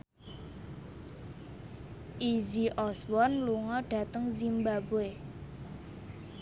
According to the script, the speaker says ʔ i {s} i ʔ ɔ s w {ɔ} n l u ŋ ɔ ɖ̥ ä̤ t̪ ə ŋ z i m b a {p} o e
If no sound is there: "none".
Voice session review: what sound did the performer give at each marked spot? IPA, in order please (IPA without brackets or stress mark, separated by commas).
z, ɔ, b